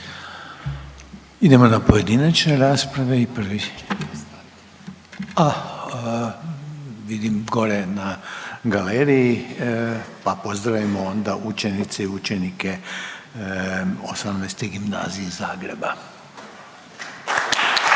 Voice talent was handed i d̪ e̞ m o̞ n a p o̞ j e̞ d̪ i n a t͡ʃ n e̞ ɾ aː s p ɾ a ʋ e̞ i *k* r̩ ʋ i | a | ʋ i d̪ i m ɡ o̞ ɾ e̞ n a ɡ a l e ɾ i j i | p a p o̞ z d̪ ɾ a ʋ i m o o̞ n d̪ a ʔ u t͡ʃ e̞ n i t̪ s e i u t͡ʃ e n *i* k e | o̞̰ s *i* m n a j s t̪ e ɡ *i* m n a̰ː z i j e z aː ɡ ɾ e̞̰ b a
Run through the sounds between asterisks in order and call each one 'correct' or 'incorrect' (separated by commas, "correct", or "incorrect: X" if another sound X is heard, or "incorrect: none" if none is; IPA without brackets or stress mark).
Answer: incorrect: p, correct, incorrect: a, correct